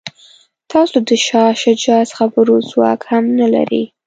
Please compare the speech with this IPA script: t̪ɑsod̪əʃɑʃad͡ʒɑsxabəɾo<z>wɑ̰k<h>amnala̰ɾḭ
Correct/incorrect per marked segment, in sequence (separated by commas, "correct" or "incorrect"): correct, correct